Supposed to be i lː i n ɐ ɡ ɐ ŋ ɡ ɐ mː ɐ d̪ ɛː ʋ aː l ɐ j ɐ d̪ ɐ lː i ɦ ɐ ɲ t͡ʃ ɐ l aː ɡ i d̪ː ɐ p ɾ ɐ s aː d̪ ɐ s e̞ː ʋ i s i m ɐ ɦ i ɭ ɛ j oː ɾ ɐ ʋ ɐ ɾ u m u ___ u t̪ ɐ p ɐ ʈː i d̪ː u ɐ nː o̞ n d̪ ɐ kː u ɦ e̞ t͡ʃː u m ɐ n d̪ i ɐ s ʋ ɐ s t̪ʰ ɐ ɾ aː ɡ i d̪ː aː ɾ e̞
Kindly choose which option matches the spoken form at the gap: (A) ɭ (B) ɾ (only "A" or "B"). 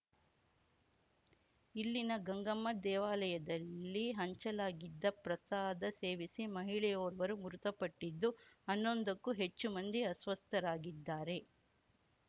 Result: B